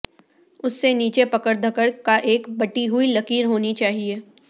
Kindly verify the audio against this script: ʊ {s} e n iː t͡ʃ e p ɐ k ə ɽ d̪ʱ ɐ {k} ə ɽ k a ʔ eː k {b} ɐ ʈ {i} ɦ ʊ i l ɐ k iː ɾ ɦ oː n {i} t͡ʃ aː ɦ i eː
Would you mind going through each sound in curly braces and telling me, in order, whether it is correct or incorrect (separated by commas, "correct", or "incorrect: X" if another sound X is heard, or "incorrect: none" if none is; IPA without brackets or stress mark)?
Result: incorrect: sː, correct, correct, correct, correct